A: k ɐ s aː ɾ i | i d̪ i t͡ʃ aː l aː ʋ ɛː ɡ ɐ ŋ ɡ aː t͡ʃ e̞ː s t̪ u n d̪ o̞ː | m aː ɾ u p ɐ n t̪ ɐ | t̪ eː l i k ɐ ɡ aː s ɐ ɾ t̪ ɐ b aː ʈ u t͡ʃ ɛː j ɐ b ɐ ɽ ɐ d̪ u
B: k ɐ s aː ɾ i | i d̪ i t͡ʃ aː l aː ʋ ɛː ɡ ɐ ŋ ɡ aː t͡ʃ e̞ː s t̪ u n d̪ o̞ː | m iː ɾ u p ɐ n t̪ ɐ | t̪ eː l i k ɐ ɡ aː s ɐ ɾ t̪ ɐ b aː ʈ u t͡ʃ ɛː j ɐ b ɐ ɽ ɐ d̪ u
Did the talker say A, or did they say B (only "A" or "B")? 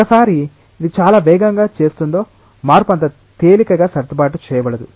A